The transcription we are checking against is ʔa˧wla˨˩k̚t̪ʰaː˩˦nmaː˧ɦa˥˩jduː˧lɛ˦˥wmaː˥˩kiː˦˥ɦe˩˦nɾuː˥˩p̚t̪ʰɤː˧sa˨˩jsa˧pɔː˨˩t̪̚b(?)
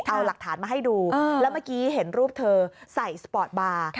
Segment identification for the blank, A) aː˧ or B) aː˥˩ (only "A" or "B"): A